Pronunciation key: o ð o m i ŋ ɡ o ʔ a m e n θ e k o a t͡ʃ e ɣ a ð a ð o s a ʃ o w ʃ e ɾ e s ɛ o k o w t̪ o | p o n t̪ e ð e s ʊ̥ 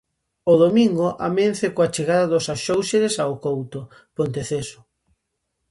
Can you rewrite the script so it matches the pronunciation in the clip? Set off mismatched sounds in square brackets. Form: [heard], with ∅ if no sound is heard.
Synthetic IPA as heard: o ð o m i ŋ ɡ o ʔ a m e n θ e k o a t͡ʃ e ɣ a ð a ð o s a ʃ o w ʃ e ɾ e s [a] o k o w t̪ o | p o n t̪ e [θ] e s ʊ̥